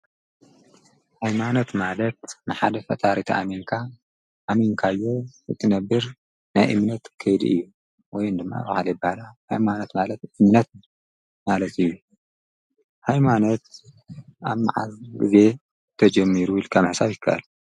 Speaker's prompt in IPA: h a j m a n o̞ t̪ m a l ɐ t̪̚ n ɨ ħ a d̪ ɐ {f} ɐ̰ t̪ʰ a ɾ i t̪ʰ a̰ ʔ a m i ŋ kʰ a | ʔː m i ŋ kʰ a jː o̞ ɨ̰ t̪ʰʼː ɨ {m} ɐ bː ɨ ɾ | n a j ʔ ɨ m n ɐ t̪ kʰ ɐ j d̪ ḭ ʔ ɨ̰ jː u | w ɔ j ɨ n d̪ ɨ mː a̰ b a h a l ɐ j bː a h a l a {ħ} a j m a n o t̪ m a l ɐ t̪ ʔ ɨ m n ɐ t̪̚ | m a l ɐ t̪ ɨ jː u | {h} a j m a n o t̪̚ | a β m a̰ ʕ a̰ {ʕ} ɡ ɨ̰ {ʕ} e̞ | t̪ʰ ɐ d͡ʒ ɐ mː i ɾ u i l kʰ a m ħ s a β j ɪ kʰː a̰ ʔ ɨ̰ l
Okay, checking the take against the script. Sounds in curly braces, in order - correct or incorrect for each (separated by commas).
correct, incorrect, incorrect, correct, incorrect, incorrect